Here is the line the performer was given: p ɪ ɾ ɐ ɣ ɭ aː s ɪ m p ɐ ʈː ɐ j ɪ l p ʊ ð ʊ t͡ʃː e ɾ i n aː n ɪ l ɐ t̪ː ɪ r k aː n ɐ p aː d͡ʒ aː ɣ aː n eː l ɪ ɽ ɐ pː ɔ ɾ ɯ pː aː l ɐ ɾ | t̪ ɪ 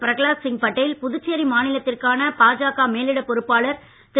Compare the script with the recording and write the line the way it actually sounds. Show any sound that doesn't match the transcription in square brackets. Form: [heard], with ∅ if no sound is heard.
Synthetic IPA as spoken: p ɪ ɾ ɐ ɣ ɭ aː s ɪ [ŋ] p ɐ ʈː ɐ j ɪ l p ʊ ð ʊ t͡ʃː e ɾ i [m] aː n ɪ l ɐ t̪ː ɪ r k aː n ɐ p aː d͡ʒ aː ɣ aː [m] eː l ɪ ɽ ɐ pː ɔ ɾ ɯ pː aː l ɐ ɾ | t̪ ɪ